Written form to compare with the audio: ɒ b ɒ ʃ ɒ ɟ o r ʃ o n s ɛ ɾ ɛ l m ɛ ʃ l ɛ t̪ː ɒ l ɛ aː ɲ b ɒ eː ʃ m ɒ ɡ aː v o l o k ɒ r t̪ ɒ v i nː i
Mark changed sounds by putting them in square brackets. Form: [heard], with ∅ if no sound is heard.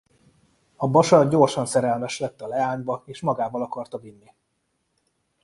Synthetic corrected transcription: ɒ b ɒ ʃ ɒ ɟ o r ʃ [ɒ] n s ɛ ɾ ɛ l m ɛ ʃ l ɛ t̪ː ɒ l ɛ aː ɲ b ɒ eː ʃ m ɒ ɡ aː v [ɒ] l [ɒ] k ɒ r t̪ ɒ v i nː i